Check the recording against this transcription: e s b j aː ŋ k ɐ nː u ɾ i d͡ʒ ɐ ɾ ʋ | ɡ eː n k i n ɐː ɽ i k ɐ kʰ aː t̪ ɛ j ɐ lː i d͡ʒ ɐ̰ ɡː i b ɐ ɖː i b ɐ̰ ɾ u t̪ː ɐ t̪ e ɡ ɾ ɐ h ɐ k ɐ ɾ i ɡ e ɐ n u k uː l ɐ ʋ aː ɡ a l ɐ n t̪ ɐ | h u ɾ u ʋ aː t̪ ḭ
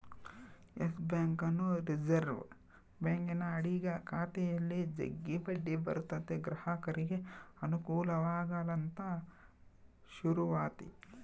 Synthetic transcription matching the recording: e s b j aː ŋ k ɐ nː u ɾ i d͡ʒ ɐ ɾ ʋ | b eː ŋ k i n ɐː ɽ i ɡ ɐ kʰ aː t̪ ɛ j ɐ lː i d͡ʒ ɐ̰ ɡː i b ɐ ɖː i b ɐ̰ ɾ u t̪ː ɐ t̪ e ɡ ɾ ɐ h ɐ k ɐ ɾ i ɡ e ɐ n u k uː l ɐ ʋ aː ɡ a l ɐ n t̪ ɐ | ʃ u ɾ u ʋ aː t̪ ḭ